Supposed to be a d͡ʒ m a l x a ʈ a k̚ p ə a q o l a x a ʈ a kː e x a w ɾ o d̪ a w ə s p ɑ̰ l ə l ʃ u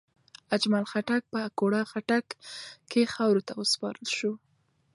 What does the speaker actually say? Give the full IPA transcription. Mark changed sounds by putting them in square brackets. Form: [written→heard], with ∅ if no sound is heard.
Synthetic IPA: a d͡ʒ m a l x a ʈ a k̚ p ə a [q→k] o [l→ɽ] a x a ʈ a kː e x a w ɾ o [d̪→t̪] a w ə s p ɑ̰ [l→ɾ] ə l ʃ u